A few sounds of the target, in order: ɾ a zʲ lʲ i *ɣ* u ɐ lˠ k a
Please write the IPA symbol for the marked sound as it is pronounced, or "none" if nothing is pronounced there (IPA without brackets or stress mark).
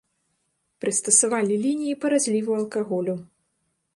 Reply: v